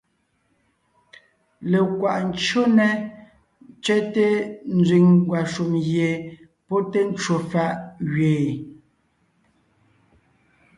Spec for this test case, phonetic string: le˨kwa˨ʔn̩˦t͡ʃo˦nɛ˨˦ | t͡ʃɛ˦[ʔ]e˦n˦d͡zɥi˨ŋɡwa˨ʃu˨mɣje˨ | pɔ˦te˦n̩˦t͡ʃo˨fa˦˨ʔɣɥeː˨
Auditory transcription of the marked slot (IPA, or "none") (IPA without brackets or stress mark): t